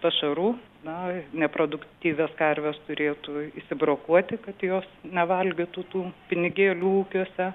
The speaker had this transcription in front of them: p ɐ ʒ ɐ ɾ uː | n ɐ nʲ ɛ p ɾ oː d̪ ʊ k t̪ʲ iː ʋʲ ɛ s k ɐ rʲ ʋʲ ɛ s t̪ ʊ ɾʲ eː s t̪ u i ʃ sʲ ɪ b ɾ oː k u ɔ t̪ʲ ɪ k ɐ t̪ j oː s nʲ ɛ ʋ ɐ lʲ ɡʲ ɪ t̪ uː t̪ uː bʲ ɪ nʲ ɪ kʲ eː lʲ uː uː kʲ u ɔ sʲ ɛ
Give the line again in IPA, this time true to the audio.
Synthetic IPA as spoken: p ɐ ʃ ɐ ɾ uː | n ɐ nʲ ɛ p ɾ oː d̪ ʊ k t̪ʲ iː ʋʲ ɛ s k ɐ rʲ ʋʲ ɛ s t̪ ʊ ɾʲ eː t̪ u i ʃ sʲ ɪ b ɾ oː k u ɔ t̪ʲ ɪ k ɐ t̪ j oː s nʲ ɛ ʋ ɐ lʲ ɡʲ ɪ t̪ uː t̪ uː pʲ ɪ nʲ ɪ ɡʲ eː lʲ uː uː kʲ u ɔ sʲ ɛ